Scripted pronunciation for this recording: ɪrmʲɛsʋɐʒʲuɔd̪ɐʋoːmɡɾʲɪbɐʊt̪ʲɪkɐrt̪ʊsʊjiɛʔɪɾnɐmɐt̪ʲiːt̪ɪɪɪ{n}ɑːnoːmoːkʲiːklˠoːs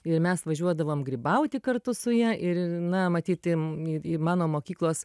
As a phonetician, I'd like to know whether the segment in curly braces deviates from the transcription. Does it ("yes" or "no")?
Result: yes